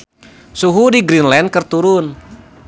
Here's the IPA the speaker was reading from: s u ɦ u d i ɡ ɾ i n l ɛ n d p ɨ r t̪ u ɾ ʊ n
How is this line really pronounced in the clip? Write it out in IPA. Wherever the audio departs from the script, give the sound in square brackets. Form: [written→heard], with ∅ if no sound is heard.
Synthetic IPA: s u ɦ u d i ɡ ɾ i n l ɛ n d [p→k] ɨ r t̪ u ɾ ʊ n